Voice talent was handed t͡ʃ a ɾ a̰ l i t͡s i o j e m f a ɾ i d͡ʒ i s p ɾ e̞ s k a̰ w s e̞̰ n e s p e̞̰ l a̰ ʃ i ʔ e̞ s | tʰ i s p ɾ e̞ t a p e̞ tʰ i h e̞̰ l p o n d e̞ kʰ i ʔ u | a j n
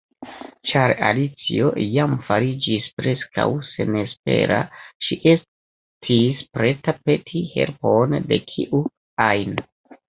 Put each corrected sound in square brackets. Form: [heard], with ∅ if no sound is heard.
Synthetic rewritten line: t͡ʃ a ɾ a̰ l i t͡s i o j [a] m f a ɾ i d͡ʒ i s p ɾ e̞ s k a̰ w s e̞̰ n e s p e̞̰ [ɾ] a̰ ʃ i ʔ e̞ s | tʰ i s p ɾ e̞ t a p e̞ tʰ i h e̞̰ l p o n d e̞ kʰ i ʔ u | a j n